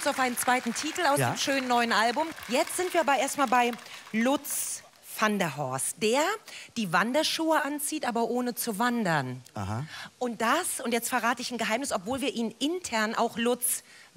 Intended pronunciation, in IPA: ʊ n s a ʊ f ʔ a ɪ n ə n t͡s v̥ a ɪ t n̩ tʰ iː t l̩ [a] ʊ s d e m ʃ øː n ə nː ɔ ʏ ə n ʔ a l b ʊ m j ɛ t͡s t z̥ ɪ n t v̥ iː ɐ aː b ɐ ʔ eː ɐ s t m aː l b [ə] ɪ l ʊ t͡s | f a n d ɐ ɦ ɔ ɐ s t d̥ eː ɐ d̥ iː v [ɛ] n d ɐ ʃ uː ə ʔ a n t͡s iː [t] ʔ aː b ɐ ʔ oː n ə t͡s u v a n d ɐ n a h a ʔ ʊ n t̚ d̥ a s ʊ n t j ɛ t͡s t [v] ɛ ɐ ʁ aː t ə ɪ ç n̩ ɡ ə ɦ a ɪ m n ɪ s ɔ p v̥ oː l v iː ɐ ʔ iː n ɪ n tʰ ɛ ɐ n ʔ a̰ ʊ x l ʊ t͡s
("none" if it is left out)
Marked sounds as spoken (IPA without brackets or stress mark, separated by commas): a, a, a, t, f